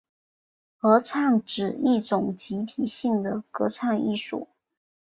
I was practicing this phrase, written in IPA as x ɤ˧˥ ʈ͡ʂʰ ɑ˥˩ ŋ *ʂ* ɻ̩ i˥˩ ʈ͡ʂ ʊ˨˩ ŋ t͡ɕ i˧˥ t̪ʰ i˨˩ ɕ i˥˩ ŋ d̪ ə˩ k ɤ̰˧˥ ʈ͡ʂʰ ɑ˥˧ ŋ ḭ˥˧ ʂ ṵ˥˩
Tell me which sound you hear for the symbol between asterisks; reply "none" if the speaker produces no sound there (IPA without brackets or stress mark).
ʈ͡ʂ